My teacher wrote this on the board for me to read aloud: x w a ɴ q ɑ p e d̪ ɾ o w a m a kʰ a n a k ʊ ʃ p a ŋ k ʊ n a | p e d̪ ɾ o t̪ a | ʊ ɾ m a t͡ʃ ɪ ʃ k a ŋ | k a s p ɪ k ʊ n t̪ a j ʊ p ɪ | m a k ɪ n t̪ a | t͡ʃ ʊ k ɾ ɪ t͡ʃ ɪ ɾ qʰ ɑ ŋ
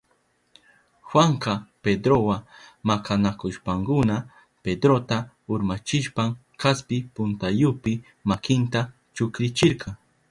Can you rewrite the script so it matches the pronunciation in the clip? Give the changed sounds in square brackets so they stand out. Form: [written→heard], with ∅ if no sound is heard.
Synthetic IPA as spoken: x w a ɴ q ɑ p e d̪ ɾ o w a m a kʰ a n a k ʊ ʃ p a ŋ k ʊ n a | p e d̪ ɾ o t̪ a | ʊ ɾ m a t͡ʃ ɪ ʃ [k→p] a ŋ | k a s p ɪ [k→p] ʊ n t̪ a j ʊ p ɪ | m a k ɪ n t̪ a | t͡ʃ ʊ k ɾ ɪ t͡ʃ ɪ ɾ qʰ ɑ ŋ